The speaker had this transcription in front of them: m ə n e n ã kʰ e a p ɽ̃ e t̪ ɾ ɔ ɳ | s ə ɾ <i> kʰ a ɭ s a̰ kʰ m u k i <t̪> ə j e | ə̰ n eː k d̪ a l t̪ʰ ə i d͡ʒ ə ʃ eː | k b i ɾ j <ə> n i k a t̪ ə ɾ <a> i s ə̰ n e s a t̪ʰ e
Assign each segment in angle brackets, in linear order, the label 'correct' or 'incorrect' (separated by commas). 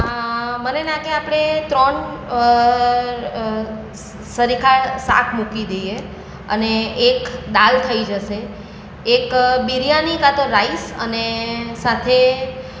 correct, incorrect, incorrect, correct